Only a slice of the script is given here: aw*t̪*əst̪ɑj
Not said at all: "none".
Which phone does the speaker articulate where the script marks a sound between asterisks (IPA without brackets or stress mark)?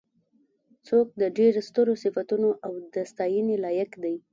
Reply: d̪